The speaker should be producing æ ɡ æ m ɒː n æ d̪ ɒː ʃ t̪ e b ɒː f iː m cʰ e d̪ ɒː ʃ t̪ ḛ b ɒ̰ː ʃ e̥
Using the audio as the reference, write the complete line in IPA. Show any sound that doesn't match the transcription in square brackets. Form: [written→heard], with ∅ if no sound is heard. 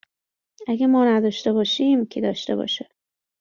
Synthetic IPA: æ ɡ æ m ɒː n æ d̪ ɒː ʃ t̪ e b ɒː [f→ʃ] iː m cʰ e d̪ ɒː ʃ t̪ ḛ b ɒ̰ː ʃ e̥